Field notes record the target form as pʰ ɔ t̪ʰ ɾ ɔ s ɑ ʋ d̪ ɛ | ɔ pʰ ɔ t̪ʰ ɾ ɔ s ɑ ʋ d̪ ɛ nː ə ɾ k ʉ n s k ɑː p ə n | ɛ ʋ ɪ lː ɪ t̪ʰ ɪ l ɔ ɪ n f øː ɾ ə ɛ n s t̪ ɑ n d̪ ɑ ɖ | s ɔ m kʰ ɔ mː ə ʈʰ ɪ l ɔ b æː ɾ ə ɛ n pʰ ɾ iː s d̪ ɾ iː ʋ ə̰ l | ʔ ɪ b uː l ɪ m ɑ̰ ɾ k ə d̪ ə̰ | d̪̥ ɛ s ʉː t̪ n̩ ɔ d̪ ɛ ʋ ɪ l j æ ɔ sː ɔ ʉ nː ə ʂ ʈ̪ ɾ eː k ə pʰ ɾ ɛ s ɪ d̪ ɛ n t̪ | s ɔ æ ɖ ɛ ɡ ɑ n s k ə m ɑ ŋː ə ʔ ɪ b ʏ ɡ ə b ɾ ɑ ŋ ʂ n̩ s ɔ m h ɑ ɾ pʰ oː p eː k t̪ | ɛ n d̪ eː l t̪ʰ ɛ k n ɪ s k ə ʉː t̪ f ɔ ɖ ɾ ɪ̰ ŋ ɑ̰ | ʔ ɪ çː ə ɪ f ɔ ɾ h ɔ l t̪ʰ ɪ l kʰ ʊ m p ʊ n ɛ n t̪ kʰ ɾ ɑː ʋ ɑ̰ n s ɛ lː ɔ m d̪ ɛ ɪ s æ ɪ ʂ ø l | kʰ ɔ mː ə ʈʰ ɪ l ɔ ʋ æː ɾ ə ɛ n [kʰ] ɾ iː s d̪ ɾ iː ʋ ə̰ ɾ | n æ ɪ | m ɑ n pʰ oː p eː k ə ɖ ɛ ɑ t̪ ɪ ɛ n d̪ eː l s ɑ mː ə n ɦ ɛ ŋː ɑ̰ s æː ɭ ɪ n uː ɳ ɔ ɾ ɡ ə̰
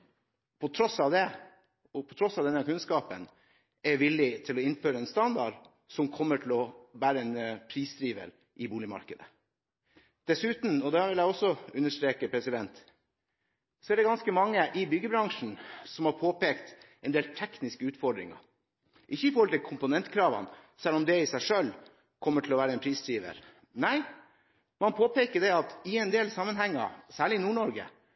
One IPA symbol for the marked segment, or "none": pʰ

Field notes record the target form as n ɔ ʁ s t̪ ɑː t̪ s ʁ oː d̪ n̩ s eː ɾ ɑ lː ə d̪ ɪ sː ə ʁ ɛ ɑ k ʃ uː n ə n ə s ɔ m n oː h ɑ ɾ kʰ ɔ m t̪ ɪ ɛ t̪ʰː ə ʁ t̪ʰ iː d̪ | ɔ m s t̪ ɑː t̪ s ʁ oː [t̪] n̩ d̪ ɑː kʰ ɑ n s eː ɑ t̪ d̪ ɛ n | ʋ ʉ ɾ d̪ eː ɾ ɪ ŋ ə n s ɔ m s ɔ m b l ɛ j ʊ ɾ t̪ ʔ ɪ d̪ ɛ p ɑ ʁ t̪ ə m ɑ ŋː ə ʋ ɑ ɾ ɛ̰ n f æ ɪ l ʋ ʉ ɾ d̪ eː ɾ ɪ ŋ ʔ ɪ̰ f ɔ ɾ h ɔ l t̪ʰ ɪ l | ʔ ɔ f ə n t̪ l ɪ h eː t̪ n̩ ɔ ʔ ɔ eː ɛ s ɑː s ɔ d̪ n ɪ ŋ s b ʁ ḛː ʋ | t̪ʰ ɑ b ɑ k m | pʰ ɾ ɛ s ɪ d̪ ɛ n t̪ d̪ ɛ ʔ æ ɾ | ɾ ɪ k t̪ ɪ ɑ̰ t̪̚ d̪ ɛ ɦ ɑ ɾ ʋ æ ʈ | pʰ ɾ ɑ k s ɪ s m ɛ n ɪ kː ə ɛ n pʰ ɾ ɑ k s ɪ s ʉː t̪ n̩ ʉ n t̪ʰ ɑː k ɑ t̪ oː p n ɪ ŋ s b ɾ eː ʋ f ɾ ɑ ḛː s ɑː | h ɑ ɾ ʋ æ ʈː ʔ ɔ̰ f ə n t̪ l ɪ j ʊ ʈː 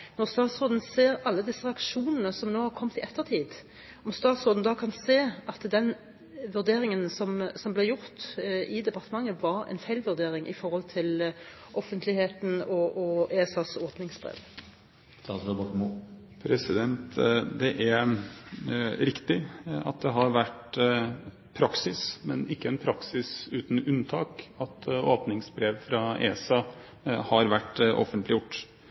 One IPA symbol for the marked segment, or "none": d̪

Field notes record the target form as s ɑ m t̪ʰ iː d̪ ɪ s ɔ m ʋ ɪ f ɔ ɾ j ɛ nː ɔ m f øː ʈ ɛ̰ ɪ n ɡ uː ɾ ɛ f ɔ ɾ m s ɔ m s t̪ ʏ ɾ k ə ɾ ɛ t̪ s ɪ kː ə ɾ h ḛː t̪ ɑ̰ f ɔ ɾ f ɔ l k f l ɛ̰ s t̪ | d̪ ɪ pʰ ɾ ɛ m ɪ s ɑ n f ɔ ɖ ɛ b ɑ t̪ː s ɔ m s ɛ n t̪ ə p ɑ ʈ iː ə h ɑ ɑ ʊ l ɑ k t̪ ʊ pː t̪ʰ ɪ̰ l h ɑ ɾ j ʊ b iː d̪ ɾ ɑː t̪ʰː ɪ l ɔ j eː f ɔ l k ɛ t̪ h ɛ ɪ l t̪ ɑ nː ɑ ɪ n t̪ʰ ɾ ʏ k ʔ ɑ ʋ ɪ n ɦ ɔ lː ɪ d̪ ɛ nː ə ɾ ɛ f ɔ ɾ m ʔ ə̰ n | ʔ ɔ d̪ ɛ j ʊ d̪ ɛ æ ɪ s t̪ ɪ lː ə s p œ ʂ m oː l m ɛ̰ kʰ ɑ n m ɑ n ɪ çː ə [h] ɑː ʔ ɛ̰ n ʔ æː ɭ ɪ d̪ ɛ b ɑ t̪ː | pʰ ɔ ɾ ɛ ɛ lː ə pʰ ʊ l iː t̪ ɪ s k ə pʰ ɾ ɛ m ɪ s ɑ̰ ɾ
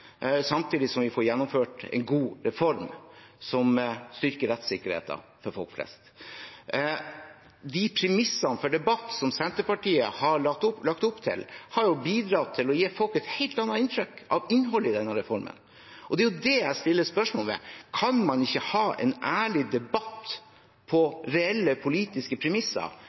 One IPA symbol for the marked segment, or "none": h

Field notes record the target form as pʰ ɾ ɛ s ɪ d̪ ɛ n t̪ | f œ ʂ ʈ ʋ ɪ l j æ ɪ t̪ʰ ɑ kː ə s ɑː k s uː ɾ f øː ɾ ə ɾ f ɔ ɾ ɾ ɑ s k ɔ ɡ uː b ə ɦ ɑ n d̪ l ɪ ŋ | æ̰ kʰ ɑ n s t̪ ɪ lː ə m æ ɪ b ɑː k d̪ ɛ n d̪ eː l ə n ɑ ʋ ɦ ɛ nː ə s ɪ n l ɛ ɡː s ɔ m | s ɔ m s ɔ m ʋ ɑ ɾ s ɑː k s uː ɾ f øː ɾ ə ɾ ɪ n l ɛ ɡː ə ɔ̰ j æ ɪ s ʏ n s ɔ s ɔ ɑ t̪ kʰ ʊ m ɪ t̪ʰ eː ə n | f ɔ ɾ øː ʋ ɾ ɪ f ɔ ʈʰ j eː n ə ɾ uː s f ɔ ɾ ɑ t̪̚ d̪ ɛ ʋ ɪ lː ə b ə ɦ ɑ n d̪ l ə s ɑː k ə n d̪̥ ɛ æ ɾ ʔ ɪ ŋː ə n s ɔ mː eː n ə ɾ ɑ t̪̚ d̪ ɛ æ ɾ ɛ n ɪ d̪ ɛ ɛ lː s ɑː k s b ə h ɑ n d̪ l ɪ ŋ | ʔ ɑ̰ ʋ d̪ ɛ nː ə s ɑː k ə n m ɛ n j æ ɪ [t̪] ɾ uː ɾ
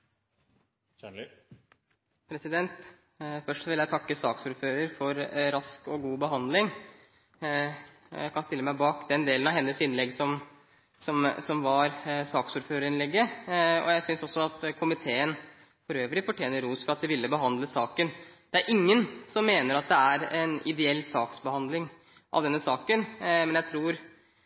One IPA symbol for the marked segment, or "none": t̪ʰ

